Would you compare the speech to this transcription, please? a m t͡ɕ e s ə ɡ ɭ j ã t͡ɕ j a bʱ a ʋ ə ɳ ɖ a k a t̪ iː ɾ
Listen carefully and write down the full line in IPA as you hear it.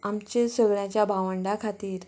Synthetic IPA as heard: a m t͡ɕ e s ə ɡ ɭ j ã t͡ɕ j a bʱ a ʋ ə ɳ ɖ a kʰ a t̪ iː ɾ